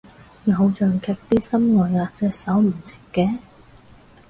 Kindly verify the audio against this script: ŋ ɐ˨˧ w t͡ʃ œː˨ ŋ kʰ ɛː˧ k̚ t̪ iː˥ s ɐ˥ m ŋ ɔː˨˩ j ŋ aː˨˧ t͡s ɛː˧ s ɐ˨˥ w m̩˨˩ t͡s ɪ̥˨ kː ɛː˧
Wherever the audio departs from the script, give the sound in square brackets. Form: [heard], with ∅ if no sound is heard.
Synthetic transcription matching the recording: ŋ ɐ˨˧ w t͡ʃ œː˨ ŋ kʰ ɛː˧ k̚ t̪ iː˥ s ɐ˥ m ŋ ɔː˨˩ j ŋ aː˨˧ t͡s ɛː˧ s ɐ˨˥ w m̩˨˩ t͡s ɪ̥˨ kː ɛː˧